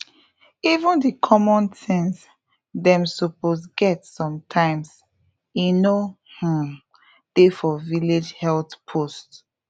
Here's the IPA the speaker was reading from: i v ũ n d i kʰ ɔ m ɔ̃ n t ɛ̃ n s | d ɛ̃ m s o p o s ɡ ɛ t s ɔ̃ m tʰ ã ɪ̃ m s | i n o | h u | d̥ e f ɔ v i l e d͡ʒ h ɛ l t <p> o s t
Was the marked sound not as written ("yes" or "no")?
yes